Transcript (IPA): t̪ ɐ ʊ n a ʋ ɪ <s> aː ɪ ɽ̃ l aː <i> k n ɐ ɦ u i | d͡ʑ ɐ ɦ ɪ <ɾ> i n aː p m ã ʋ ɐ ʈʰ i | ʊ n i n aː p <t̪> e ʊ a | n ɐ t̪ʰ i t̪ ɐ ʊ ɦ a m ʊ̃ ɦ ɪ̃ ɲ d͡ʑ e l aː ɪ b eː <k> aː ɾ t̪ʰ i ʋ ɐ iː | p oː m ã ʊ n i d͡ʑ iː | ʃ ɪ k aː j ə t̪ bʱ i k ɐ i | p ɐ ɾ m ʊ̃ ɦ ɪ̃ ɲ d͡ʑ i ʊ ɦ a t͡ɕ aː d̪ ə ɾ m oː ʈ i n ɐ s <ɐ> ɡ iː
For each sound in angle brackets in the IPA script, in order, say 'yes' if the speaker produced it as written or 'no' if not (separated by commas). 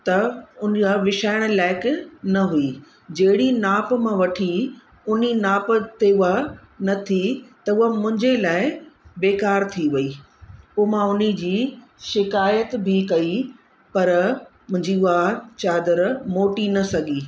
no, no, no, yes, yes, yes